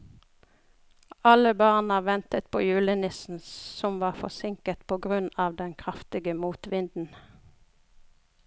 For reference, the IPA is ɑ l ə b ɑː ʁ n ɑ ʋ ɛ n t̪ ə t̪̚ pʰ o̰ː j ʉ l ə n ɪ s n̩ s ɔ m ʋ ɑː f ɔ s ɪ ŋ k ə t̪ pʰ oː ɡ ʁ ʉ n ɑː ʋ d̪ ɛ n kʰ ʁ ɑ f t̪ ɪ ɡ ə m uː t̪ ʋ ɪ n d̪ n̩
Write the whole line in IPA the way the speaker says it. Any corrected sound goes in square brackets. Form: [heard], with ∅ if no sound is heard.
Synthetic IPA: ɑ l ə b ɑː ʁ n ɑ ʋ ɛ n t̪ ə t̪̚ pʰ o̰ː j [ʉː] l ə n ɪ s n̩ s ɔ m ʋ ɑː f ɔ s ɪ ŋ k ə t̪ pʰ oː ɡ ʁ ʉ n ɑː ʋ d̪ ɛ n kʰ ʁ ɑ f t̪ ɪ ɡ ə m uː t̪ ʋ ɪ n d̪ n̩